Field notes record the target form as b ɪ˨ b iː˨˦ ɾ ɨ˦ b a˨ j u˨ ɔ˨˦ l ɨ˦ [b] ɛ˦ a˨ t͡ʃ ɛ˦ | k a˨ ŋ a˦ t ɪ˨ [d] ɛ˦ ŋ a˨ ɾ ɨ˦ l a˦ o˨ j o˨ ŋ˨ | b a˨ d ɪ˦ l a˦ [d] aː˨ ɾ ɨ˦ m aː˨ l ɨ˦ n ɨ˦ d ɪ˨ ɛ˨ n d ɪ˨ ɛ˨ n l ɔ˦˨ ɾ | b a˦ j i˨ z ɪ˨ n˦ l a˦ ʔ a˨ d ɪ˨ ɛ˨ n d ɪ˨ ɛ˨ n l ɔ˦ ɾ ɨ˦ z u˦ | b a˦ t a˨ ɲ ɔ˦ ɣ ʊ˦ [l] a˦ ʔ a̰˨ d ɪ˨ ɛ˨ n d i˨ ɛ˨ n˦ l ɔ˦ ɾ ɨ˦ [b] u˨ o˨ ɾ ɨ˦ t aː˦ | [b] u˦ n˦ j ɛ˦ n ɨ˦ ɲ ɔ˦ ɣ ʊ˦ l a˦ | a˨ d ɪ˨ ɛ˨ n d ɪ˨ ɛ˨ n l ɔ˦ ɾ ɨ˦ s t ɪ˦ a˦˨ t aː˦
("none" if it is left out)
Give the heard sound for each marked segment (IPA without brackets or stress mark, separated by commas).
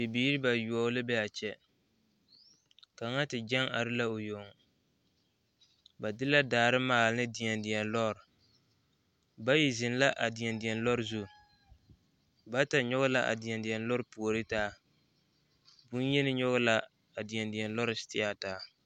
b, d͡ʒ, d, l, p, b